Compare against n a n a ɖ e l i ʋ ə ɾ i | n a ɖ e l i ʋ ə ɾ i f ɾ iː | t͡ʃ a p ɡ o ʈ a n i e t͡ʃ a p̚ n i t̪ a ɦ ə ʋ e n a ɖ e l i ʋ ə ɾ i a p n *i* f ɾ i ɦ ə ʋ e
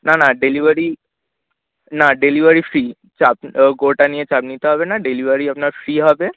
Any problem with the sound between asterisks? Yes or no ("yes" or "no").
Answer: yes